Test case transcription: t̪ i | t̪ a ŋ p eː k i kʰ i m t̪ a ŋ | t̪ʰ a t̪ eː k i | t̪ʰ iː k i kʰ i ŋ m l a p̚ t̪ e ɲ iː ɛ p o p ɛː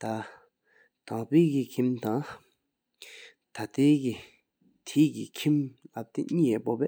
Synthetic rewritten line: t̪ a | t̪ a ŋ p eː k i kʰ i m t̪ a ŋ | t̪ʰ a t̪ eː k i | t̪ʰ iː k i kʰ i m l a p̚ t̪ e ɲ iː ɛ p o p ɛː